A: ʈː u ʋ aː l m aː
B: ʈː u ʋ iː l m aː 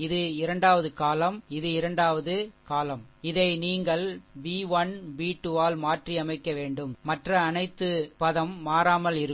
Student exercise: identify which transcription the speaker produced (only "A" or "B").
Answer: A